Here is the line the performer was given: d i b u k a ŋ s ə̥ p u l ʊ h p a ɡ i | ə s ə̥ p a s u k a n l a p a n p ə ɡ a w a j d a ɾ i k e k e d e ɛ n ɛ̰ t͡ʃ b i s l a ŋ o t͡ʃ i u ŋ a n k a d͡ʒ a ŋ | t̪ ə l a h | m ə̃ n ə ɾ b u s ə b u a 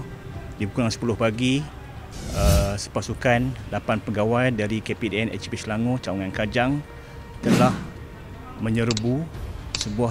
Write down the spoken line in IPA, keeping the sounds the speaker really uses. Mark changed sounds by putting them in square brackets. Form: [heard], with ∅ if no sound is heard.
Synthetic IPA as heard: d i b u k a ŋ s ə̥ p u l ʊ h p a ɡ i | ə s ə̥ p a s u k a n l a p a n p ə ɡ a w a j d a ɾ i k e [p] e d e ɛ n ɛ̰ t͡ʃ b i s l a ŋ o t͡ʃ [a] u ŋ a n k a d͡ʒ a ŋ | t̪ ə l a h | m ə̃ [ɲ] ə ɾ b u s ə b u a